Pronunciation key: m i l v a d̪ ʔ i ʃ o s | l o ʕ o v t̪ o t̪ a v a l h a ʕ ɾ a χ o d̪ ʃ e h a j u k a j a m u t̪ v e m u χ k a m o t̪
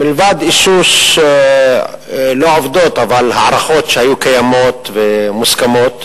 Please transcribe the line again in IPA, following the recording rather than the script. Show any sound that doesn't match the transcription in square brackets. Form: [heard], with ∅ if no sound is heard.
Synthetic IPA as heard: m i l v a d̪ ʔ i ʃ [u] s | l o ʕ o v [d̪] o t̪ a v a l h a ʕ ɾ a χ o [t̪] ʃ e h a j u k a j a m [o] t̪ v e m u [s] k a m o t̪